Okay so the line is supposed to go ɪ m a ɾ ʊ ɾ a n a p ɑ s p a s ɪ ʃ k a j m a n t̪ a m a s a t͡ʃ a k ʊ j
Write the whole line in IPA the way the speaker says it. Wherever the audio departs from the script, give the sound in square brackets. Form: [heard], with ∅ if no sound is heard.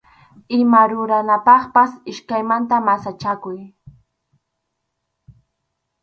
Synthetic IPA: ɪ m a ɾ ʊ ɾ a n a p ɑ [χ] p a s ɪ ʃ k a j m a n t̪ a m a s a t͡ʃ a k ʊ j